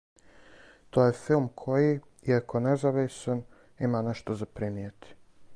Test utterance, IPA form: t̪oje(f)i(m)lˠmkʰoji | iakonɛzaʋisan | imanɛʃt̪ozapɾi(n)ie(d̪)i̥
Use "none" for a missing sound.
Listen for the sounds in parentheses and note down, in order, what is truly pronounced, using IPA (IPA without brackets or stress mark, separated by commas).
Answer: f, none, m, t̪